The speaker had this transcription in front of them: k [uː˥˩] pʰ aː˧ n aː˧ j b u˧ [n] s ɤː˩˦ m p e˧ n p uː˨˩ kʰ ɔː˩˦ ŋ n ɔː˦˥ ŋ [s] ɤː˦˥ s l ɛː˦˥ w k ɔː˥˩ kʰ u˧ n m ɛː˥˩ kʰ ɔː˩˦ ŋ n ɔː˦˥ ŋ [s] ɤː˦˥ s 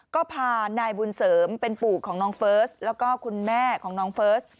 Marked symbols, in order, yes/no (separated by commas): no, yes, no, no